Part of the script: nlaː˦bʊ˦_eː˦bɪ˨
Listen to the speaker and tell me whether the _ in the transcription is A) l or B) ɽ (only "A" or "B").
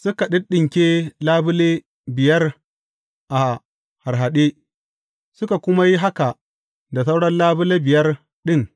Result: A